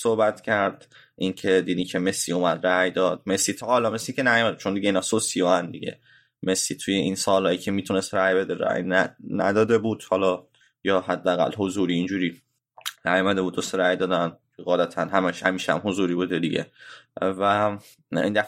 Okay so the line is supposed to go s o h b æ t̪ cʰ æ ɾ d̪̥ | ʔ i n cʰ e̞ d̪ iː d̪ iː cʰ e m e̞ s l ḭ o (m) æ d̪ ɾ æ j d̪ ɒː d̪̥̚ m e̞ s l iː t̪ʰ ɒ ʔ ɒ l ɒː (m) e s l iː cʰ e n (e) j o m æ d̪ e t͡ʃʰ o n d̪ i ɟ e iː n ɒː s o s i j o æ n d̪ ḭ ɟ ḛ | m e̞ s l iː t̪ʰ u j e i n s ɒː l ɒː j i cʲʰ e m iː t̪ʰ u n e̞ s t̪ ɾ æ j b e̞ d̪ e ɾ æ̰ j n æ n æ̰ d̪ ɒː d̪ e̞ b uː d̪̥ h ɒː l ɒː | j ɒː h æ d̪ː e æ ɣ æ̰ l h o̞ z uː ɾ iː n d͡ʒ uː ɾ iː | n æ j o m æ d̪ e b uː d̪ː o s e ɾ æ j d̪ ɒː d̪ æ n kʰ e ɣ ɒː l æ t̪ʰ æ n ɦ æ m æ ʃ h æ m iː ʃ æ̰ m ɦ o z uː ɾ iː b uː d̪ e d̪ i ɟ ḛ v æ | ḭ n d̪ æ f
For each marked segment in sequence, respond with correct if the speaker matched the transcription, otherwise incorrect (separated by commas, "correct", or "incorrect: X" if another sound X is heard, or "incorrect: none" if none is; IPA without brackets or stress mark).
correct, correct, incorrect: æ